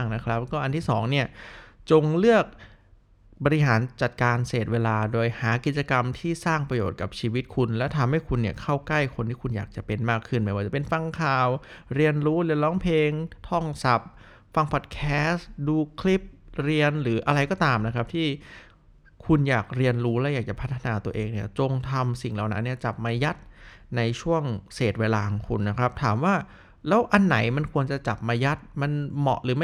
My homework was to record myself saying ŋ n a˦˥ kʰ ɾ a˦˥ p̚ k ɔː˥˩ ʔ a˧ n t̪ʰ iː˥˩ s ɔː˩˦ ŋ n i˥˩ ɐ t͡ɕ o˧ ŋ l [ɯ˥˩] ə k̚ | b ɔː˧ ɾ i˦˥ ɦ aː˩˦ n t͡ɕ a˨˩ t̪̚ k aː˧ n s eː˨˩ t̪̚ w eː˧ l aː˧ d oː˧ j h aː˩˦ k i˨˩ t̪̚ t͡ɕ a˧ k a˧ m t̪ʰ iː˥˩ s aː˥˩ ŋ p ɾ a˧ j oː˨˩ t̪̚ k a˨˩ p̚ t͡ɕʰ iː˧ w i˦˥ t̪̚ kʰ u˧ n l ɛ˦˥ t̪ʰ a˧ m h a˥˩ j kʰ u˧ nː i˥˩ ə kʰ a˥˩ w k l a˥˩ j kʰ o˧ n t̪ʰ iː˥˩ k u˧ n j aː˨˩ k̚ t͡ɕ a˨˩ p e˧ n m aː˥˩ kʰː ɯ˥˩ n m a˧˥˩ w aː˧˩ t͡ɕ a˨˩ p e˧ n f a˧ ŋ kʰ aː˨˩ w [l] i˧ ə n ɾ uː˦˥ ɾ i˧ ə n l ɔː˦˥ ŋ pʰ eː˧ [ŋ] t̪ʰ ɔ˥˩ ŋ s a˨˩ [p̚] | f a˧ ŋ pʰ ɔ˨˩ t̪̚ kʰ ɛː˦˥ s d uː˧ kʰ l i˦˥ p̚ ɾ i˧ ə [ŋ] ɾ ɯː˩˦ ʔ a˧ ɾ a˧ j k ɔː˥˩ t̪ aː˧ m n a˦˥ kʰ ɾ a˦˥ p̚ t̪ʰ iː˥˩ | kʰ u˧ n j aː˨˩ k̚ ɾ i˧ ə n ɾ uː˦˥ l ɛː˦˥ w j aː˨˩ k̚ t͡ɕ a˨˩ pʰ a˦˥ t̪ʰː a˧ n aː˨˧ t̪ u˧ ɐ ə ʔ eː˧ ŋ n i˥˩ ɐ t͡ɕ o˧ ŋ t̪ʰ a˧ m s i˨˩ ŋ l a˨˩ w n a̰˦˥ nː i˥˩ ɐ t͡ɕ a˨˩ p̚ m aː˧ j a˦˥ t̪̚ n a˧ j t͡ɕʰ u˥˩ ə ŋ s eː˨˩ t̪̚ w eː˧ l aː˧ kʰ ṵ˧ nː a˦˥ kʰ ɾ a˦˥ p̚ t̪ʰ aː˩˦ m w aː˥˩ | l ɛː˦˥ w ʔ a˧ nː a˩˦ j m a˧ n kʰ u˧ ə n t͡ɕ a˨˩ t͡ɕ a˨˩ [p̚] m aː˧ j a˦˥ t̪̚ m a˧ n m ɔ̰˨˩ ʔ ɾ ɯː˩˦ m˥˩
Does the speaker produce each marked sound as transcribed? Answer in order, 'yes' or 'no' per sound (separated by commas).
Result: yes, no, yes, yes, no, yes